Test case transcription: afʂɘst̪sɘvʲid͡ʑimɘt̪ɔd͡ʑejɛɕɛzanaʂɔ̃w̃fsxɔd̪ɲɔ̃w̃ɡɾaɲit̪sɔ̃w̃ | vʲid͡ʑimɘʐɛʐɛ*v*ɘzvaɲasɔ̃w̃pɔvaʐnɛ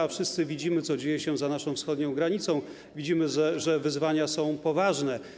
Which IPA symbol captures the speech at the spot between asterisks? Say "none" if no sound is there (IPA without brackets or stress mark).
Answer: v